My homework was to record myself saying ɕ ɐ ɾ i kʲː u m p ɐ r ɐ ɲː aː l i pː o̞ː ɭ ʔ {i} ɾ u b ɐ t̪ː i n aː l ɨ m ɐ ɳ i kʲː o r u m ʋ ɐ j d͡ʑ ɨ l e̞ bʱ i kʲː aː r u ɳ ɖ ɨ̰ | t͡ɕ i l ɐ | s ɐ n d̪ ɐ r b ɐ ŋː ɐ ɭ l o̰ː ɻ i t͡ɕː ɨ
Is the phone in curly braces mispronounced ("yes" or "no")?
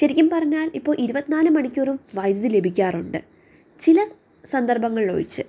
no